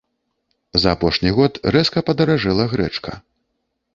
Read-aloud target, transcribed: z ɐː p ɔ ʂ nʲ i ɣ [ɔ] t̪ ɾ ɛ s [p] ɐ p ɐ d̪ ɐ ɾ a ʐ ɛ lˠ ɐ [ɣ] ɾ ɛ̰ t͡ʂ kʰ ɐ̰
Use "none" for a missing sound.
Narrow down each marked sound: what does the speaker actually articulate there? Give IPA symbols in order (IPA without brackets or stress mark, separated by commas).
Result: ɔ, k, ɣ